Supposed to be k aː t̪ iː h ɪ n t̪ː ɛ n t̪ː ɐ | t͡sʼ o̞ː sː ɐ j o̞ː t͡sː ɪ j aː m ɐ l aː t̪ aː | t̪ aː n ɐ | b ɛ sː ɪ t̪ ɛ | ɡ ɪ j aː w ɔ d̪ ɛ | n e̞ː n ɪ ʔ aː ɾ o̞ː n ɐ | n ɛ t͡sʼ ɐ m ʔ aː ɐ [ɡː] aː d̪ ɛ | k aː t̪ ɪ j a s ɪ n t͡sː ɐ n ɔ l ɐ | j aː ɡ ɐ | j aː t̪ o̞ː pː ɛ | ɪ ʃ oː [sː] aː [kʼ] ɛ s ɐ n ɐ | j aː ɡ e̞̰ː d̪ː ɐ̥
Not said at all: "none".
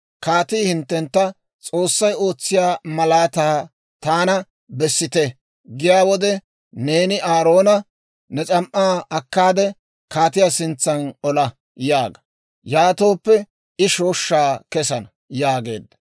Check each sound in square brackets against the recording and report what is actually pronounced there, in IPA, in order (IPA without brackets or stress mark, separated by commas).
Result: kː, ʃː, k